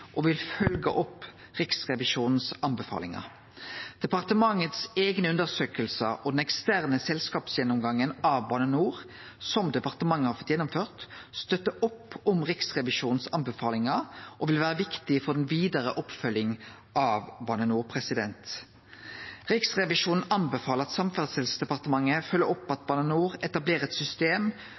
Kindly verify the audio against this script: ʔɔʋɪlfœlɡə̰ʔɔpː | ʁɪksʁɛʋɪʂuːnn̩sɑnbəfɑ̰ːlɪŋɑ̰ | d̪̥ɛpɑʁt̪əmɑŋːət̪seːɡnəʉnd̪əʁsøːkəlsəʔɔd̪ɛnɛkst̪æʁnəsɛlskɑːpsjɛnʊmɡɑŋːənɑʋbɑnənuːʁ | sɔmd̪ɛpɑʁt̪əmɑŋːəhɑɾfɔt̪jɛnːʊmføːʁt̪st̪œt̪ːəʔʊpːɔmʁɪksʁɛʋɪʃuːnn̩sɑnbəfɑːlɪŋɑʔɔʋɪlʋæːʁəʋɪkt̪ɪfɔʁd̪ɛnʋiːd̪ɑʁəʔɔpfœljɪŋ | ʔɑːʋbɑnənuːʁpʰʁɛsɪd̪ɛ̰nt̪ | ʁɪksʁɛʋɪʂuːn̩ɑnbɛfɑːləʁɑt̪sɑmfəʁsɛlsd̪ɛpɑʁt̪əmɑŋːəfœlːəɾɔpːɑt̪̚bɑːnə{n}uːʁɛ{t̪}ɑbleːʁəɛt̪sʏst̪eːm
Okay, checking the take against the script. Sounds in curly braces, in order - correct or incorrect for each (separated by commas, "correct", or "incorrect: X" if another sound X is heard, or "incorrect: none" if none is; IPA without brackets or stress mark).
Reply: correct, correct